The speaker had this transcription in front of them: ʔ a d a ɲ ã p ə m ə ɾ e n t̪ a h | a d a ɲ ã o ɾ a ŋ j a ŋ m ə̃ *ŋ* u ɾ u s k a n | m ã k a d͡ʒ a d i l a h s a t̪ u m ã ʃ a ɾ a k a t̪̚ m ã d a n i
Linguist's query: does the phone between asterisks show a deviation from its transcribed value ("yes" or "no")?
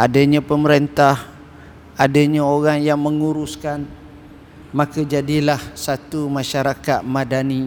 no